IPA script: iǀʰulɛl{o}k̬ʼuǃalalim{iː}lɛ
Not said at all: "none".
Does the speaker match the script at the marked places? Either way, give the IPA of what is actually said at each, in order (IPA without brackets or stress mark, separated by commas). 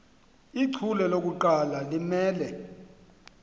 o, ɛː